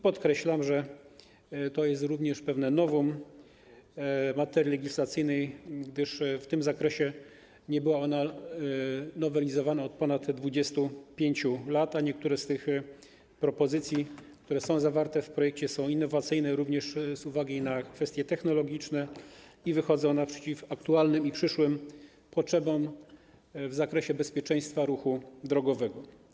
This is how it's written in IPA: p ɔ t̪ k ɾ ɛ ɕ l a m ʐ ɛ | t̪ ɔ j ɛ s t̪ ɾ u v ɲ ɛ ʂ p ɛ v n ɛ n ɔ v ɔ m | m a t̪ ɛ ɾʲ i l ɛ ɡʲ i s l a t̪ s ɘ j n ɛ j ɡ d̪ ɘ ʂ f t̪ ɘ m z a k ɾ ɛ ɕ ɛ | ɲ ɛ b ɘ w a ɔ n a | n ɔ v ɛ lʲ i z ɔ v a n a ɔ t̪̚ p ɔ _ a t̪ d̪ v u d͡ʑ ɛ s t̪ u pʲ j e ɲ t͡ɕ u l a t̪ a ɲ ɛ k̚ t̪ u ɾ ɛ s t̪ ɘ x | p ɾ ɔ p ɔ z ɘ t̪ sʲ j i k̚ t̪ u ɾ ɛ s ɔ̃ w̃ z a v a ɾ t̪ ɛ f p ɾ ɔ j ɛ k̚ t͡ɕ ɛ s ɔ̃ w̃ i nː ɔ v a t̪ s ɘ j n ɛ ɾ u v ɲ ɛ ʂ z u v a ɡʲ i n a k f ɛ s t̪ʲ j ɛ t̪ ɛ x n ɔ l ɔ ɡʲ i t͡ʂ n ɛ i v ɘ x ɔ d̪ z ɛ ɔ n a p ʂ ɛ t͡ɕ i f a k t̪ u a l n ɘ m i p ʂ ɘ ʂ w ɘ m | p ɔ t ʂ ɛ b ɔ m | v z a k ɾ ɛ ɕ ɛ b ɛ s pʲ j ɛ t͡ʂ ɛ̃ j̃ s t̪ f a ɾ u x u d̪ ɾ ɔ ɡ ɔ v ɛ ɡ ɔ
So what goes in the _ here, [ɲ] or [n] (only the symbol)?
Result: n